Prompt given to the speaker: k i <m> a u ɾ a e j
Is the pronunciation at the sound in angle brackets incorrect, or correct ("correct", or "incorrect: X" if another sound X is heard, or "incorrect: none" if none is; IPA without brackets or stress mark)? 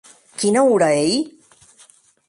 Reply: incorrect: n